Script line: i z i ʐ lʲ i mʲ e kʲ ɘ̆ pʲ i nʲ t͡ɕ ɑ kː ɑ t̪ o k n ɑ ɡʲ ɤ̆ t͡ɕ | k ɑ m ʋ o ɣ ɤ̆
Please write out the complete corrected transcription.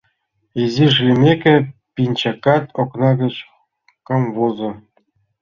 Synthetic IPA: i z i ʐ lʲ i mʲ e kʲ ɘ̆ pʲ i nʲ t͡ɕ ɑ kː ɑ t̪ o k n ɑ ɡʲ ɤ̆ t͡ɕ | k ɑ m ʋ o z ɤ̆